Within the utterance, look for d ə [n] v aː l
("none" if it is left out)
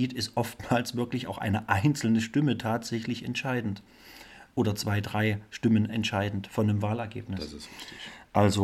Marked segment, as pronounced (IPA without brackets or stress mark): m